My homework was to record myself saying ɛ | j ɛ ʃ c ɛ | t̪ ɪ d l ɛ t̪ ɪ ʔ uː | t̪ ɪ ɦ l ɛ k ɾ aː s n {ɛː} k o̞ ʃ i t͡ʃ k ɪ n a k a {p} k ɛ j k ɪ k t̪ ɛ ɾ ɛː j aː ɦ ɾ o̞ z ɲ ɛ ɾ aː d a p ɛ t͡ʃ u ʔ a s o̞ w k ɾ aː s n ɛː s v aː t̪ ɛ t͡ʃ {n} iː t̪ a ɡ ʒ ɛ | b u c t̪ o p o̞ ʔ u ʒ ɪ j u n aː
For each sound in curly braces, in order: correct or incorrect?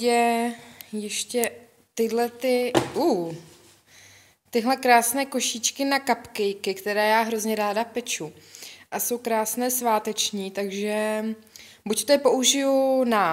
correct, correct, incorrect: ɲ

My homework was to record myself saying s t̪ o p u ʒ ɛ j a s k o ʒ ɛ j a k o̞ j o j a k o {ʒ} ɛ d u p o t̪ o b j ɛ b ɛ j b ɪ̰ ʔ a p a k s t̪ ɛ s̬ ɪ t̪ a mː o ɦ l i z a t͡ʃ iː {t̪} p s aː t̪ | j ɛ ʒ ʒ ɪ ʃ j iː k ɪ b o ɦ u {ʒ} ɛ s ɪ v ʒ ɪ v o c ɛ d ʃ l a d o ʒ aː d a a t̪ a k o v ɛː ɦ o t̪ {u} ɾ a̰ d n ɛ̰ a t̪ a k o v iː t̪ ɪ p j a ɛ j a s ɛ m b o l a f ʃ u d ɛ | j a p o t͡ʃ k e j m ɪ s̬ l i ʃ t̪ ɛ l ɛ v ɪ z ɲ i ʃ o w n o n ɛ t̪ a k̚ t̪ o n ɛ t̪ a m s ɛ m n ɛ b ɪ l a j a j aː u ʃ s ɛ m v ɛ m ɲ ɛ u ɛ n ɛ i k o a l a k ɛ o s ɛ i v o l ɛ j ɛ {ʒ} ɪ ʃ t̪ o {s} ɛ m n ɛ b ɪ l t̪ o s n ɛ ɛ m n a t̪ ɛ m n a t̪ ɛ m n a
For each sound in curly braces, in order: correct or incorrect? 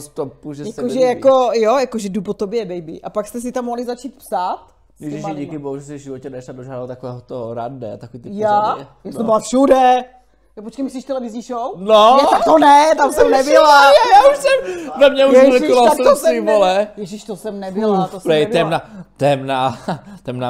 correct, correct, correct, incorrect: o, correct, correct

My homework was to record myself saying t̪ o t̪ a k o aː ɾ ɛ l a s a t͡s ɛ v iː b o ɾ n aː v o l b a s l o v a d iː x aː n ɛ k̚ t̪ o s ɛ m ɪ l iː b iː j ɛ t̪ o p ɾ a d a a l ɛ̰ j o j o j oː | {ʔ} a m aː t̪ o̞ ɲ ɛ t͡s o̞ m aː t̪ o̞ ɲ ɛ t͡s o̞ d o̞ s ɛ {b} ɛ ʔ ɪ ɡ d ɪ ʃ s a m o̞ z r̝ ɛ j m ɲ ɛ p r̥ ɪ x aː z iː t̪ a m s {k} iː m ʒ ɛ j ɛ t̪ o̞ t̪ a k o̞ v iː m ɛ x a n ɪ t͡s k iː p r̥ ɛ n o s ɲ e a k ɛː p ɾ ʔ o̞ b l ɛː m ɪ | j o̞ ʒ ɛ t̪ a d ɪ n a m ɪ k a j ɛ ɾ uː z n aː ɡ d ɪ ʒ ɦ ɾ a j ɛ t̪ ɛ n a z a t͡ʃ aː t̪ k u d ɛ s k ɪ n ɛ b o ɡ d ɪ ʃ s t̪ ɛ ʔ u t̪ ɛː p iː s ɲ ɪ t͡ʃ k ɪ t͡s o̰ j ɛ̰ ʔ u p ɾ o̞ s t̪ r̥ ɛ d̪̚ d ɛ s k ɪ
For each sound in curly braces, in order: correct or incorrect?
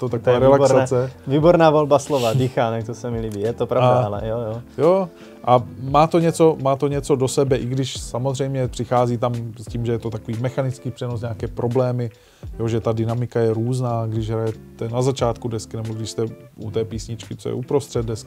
correct, correct, incorrect: c

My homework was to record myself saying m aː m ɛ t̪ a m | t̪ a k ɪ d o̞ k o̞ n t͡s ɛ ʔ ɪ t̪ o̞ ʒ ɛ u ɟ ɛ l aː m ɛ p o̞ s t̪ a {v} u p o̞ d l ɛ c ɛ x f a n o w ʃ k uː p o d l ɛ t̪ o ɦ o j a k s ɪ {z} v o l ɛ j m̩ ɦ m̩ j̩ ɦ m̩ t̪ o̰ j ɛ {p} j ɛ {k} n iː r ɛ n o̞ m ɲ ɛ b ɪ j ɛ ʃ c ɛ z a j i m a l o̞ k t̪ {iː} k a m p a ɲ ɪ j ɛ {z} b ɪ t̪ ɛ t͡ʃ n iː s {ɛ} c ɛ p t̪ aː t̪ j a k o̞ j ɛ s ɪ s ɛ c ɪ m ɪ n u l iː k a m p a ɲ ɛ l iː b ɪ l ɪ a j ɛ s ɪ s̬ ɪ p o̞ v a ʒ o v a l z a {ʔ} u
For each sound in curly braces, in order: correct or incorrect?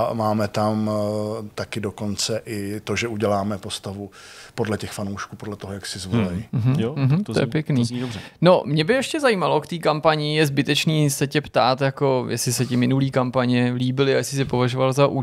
correct, correct, correct, correct, correct, correct, correct, correct

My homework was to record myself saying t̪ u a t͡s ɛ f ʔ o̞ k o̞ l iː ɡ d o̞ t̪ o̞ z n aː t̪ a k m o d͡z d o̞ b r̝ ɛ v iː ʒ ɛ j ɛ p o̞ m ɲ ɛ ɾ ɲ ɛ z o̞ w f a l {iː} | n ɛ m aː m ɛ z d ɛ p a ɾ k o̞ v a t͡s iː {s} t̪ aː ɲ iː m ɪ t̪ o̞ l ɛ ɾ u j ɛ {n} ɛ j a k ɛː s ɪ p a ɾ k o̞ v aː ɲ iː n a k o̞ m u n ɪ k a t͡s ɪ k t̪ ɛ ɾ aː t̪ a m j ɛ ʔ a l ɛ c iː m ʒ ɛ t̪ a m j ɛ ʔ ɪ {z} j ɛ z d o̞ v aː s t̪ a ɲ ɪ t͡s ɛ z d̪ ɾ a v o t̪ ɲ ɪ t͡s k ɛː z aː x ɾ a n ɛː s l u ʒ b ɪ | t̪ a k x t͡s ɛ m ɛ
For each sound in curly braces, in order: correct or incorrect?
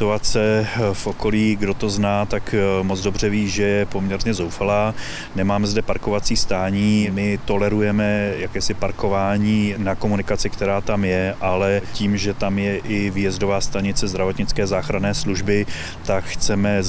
incorrect: aː, correct, incorrect: m, incorrect: v

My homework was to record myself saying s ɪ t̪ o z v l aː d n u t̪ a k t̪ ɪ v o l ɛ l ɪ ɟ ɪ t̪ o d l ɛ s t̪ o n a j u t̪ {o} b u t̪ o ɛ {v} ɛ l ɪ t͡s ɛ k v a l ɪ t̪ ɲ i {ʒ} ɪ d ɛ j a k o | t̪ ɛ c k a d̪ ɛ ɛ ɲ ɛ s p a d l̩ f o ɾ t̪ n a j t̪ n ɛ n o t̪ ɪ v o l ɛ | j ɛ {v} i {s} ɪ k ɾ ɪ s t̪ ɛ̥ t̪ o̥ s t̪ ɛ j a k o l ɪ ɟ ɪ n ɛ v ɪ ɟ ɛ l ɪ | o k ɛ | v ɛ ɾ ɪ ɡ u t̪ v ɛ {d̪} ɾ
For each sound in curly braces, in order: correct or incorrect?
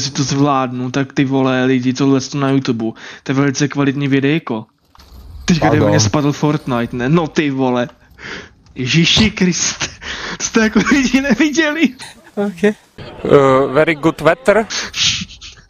incorrect: u, correct, incorrect: v, incorrect: ʒ, incorrect: ʃ, incorrect: t̪

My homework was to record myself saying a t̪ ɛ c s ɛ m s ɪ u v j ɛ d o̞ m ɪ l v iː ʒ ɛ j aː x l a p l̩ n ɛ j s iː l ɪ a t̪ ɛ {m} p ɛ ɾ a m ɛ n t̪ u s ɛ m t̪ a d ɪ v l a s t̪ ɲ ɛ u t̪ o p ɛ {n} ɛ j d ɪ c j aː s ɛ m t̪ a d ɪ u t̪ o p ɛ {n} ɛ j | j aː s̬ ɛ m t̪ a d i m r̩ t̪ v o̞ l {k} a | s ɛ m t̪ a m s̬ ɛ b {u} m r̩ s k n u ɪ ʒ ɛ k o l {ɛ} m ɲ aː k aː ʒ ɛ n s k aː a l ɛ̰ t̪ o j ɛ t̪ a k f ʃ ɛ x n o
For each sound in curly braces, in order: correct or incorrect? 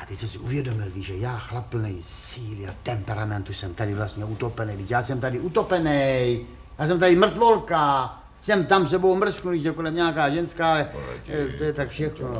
correct, correct, correct, correct, incorrect: o, correct

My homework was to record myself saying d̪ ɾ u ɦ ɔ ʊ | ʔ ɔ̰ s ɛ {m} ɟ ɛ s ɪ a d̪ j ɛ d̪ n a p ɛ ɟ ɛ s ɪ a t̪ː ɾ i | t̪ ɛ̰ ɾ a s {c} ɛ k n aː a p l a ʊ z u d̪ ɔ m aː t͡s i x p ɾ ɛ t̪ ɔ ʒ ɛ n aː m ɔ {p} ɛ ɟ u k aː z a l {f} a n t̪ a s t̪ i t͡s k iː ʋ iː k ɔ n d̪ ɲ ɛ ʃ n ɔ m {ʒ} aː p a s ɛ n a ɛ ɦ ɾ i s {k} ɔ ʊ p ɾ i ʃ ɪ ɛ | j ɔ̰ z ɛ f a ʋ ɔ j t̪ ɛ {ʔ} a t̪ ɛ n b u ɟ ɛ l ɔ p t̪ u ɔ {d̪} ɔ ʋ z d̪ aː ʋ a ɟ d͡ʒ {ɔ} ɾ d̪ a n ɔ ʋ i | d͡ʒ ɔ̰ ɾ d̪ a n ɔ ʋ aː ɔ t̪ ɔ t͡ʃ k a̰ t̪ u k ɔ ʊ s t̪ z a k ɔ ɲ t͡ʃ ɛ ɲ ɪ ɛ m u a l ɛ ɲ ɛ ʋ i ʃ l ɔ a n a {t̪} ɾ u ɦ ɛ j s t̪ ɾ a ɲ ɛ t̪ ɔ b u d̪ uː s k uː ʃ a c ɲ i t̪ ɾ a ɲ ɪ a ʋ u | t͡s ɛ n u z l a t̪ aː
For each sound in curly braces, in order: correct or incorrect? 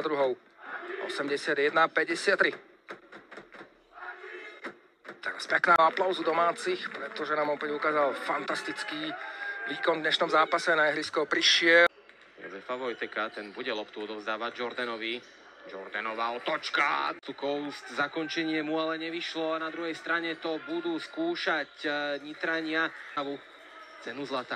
correct, incorrect: p, correct, correct, incorrect: z, correct, incorrect: k, correct, correct, incorrect: d̪

